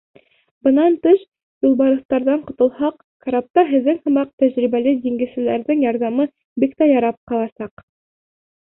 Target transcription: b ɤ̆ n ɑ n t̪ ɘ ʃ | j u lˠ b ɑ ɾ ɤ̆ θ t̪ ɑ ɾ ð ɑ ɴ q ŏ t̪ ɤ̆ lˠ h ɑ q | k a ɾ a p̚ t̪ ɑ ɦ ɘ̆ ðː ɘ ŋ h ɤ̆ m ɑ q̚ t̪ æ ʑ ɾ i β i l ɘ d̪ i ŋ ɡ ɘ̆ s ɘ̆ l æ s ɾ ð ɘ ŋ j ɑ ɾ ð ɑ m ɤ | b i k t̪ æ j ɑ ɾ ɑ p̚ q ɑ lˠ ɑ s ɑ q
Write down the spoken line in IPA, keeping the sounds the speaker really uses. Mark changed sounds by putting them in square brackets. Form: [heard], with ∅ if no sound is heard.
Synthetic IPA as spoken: b ɤ̆ n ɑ n t̪ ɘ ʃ | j u lˠ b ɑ ɾ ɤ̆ θ t̪ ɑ ɾ ð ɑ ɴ q ŏ t̪ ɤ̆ lˠ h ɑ q | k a ɾ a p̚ t̪ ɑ ɦ ɘ̆ ðː ɘ ŋ h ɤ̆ m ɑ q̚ t̪ æ ʑ ɾ i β [æ] l ɘ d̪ i ŋ ɡ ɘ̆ s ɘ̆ l æ [∅] ɾ ð ɘ ŋ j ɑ ɾ ð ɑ m ɤ | b i k t̪ æ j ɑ ɾ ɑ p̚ q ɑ lˠ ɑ s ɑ q